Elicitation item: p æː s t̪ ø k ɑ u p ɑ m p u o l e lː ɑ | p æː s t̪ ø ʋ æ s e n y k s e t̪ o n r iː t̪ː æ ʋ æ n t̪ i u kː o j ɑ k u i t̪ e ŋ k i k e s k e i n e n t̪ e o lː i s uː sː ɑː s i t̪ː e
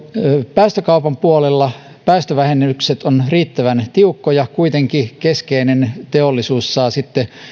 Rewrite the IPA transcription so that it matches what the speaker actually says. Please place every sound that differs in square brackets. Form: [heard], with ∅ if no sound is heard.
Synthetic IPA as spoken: p æː s t̪ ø k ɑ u p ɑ m p u o l e lː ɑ | p æː s t̪ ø ʋ æ [h] e n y k s e t̪ o n r iː t̪ː æ ʋ æ n t̪ i u kː o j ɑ k u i t̪ e ŋ k i k e s k e i n e n t̪ e o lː i s uː sː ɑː s i t̪ː e